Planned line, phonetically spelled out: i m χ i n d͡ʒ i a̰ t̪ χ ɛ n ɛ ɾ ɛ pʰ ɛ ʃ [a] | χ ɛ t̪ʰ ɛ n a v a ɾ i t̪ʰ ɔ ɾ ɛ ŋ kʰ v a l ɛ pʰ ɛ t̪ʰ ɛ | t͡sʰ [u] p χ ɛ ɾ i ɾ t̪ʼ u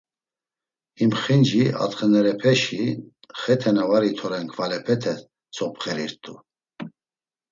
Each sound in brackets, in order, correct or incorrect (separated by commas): incorrect, incorrect